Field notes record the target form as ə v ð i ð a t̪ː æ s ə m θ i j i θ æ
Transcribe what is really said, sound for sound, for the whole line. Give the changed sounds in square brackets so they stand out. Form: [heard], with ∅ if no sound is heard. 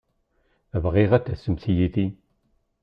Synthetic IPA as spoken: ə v [ʁ] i [ʁ] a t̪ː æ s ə m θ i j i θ [i]